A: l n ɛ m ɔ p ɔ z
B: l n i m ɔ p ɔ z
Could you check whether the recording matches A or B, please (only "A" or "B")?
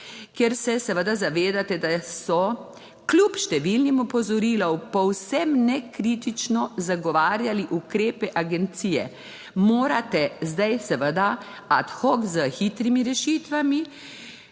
B